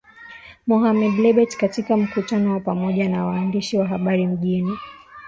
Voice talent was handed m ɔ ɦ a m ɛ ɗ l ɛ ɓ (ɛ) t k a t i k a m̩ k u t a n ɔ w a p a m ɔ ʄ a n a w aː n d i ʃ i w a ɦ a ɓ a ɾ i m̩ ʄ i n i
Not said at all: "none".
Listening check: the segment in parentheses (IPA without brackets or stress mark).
ɛ